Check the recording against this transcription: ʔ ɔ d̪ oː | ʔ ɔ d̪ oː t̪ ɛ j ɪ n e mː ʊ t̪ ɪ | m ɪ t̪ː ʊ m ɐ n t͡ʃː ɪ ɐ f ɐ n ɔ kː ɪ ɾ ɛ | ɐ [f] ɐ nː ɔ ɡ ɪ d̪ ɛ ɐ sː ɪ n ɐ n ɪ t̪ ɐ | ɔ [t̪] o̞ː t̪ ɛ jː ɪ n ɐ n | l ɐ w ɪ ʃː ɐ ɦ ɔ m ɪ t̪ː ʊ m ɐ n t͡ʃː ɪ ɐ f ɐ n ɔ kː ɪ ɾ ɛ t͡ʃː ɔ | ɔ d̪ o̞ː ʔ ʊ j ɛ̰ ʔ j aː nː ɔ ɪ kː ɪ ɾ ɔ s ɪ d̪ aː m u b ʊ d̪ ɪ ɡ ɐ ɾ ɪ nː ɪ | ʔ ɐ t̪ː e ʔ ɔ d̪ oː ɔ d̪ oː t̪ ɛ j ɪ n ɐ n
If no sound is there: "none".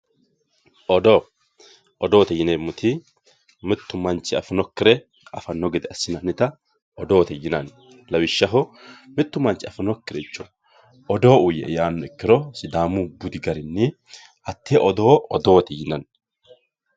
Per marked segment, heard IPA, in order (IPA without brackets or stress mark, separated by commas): f, d̪